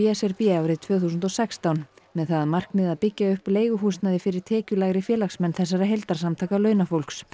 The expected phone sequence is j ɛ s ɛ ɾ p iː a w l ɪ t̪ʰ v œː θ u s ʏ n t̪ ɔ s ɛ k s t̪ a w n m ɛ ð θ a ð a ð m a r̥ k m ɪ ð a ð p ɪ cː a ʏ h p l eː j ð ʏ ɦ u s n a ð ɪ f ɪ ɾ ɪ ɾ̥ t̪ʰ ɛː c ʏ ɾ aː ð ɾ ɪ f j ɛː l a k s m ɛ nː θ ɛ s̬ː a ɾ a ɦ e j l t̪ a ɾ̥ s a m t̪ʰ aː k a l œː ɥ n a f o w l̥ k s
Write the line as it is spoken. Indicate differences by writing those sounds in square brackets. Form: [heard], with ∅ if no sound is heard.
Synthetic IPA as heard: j ɛ s ɛ ɾ p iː a w [ɾ] ɪ t̪ʰ v œː θ u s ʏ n t̪ ɔ s ɛ k s t̪ a w n m ɛ ð θ a ð a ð m a r̥ k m ɪ ð a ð p ɪ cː a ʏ h p l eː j [ɣ] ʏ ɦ u s n a ð ɪ f ɪ ɾ ɪ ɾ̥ t̪ʰ ɛː c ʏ [l] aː [ɣ] ɾ ɪ f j ɛː l a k s m ɛ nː θ ɛ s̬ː a ɾ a ɦ e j l t̪ a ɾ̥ s a m t̪ʰ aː k a l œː ɥ n a f o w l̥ k s